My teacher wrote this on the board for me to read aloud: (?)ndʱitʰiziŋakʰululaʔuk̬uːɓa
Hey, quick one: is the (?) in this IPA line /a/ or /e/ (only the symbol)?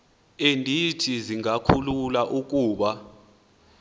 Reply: e